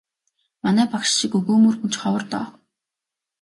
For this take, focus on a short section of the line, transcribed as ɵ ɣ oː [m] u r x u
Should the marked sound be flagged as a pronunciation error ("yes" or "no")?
no